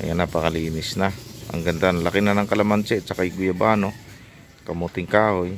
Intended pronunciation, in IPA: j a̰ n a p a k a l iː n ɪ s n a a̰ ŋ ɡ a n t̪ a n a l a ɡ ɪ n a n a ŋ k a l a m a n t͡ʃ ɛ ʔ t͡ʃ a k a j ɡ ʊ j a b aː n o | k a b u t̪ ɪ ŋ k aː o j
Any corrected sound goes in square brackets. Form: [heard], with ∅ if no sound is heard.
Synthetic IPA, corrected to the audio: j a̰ n a p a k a l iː n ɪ s n a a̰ ŋ ɡ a n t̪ a n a l a [k] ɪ n a n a ŋ k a l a m a n t͡ʃ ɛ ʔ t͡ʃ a k a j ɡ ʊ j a b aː n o | k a [m] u t̪ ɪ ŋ k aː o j